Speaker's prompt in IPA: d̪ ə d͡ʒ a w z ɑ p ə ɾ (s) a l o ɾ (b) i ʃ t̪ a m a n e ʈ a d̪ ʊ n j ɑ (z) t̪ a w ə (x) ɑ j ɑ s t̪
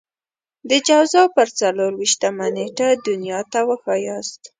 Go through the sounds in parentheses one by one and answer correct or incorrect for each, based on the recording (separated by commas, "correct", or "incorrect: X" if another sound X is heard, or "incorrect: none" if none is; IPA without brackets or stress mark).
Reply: incorrect: t͡s, incorrect: w, incorrect: none, correct